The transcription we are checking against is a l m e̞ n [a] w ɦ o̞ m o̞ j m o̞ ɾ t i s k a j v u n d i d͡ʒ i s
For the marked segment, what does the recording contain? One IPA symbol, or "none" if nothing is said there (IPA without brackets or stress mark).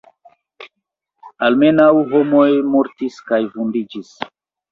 a